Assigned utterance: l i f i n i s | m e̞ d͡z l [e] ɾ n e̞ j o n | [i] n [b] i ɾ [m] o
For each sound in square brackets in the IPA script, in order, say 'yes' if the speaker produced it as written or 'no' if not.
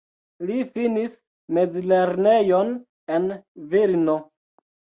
yes, no, no, no

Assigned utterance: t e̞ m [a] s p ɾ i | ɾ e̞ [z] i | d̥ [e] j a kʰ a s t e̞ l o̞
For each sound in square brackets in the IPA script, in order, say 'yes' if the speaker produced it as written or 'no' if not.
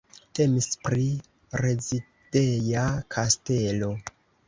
no, yes, yes

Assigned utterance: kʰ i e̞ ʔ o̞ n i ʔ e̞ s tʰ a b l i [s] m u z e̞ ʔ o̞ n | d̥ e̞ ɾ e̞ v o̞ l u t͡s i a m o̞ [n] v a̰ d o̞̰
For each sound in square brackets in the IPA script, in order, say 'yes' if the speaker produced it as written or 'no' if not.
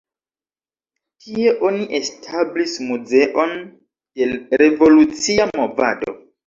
yes, no

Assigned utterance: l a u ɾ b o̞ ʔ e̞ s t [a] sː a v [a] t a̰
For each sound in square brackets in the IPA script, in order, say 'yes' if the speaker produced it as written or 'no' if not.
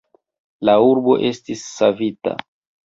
no, no

